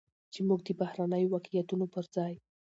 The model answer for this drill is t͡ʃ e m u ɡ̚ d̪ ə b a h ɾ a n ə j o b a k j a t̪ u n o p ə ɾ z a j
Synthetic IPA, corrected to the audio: t͡ʃ e m u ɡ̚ d̪ ə b a h ɾ a n ə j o w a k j a t̪ u n o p ə ɾ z ɑ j